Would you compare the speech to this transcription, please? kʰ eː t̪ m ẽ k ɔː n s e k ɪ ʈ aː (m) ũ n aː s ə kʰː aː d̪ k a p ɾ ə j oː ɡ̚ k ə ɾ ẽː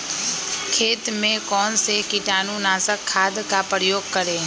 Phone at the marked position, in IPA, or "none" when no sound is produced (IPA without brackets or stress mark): n